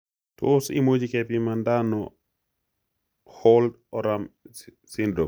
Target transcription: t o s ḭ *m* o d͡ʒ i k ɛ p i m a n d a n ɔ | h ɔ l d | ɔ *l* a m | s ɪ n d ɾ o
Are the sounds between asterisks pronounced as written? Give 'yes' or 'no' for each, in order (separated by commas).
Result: yes, no